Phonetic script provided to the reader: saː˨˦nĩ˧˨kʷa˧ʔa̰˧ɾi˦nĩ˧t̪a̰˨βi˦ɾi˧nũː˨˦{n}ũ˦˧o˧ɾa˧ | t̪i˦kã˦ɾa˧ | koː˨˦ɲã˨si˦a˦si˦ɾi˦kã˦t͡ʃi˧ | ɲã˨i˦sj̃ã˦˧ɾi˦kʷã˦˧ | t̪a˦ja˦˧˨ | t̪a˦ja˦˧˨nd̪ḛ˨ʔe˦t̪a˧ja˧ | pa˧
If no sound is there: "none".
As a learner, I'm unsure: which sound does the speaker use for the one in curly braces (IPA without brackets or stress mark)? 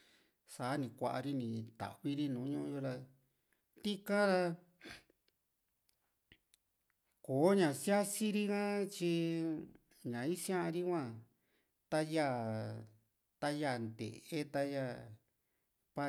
ɲ